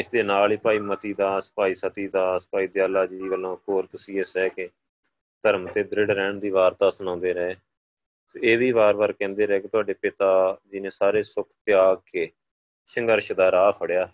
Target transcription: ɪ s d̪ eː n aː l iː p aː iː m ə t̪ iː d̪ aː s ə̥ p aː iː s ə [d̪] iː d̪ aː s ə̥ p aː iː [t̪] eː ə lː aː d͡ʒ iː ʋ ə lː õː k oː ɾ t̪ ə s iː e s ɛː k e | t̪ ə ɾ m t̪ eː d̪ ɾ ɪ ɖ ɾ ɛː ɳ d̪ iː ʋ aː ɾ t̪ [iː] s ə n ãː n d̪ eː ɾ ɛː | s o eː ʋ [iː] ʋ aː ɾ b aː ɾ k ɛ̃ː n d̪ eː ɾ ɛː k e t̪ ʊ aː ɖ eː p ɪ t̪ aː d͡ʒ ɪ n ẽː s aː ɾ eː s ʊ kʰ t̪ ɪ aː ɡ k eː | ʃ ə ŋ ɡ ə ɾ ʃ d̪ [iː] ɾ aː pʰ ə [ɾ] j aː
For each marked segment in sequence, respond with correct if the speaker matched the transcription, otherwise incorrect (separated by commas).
incorrect, incorrect, incorrect, correct, incorrect, incorrect